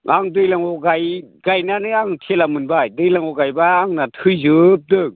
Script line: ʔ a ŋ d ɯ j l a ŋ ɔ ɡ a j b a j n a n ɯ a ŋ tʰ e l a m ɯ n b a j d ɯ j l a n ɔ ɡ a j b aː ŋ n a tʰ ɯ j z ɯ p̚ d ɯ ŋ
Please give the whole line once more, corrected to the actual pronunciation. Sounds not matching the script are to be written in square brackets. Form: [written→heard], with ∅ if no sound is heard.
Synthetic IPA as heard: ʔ a ŋ d ɯ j l a ŋ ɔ ɡ a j [b→ɡ] a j n a n ɯ a ŋ tʰ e l a m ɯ n b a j d ɯ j l a [n→ŋ] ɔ ɡ a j b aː ŋ n a tʰ ɯ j z ɯ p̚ d ɯ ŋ